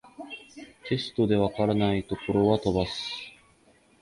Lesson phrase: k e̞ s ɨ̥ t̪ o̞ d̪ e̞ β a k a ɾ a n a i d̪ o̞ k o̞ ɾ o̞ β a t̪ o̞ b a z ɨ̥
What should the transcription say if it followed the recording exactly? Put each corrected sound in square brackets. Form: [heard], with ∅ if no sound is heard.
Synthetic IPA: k e̞ s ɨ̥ t̪ o̞ d̪ e̞ β a k a ɾ a n a i [t̪] o̞ k o̞ ɾ o̞ β a t̪ o̞ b a [s] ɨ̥